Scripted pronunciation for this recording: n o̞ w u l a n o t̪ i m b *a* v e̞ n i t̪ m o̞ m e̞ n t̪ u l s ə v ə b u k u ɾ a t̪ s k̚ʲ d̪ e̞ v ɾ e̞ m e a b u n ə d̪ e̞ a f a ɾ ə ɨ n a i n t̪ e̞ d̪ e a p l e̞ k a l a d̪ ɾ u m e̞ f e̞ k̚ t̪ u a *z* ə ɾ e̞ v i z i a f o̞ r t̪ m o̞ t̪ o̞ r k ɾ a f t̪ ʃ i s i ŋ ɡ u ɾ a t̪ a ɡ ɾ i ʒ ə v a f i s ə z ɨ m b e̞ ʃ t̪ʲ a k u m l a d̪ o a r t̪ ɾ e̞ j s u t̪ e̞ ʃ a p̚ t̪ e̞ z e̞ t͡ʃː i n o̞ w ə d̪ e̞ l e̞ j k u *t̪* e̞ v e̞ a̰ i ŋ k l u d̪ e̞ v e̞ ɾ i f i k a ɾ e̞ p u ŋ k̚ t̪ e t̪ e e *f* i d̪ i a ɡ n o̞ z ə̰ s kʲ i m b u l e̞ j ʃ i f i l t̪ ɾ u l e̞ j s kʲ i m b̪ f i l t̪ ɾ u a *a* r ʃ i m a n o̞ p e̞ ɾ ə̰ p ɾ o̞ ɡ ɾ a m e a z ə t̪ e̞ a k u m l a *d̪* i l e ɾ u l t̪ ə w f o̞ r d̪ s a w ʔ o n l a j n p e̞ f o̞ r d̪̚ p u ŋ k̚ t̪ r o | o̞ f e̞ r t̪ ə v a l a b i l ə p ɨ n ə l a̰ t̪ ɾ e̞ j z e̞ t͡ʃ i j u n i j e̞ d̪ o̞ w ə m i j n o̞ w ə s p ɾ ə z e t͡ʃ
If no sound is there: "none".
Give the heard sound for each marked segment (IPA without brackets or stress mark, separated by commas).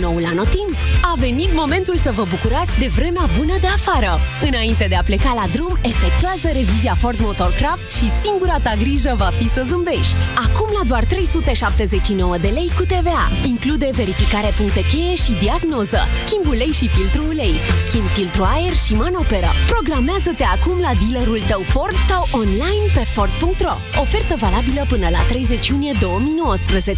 a, z, t̪, ʃ, e, d̪